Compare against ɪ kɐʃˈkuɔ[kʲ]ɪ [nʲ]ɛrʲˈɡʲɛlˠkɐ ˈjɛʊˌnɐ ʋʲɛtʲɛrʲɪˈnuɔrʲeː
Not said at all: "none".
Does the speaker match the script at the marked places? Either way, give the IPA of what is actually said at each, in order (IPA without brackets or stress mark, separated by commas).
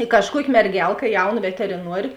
kʲ, mʲ